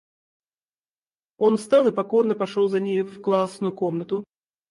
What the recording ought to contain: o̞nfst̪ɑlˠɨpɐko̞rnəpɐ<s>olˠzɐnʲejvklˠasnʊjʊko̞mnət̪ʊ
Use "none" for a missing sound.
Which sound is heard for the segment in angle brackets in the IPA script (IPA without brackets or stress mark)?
ʂ